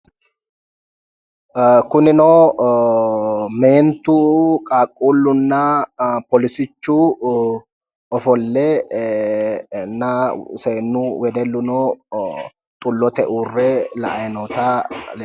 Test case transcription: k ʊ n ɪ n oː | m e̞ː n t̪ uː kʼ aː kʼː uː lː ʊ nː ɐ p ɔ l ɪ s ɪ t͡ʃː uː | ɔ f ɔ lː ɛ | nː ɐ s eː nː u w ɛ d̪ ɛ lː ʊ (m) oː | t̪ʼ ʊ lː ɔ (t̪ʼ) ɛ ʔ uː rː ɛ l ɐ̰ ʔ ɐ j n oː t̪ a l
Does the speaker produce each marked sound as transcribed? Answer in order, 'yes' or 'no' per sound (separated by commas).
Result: no, no